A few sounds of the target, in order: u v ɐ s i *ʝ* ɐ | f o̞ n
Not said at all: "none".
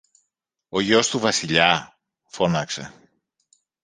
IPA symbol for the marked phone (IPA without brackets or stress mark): ʎ